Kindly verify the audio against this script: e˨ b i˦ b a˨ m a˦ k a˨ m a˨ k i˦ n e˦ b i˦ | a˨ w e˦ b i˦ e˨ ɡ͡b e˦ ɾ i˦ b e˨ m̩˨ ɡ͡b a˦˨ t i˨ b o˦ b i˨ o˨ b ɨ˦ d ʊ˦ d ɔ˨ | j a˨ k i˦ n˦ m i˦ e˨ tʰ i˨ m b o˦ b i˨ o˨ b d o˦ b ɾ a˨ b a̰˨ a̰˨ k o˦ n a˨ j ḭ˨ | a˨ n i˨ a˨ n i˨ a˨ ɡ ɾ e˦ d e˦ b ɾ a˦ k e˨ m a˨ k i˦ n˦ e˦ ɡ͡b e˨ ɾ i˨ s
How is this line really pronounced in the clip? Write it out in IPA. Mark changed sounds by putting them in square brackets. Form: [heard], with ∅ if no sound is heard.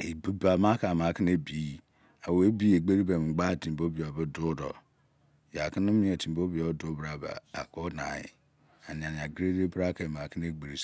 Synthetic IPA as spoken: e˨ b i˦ b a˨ m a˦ k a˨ m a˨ k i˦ n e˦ b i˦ | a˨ w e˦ b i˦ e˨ ɡ͡b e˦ ɾ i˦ b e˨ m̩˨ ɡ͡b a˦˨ t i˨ b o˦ b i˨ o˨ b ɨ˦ d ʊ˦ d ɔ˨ | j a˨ k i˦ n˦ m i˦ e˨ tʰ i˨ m b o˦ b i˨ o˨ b d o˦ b ɾ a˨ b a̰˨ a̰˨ k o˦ n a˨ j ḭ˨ | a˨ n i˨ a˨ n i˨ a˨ ɡ ɾ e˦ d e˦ b ɾ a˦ k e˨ m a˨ k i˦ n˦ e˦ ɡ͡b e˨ ɾ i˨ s